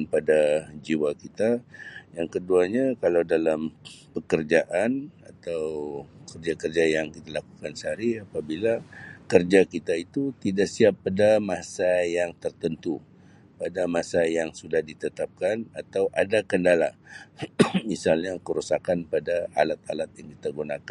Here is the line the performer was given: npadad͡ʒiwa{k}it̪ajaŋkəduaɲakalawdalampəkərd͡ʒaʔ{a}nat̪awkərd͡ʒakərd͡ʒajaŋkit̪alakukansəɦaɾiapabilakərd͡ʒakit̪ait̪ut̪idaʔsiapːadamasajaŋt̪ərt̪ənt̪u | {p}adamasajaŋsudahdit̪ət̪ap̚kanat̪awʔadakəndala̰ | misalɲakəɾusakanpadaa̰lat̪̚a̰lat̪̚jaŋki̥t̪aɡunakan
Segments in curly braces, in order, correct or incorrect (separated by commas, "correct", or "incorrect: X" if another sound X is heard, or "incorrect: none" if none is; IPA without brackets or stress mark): correct, correct, correct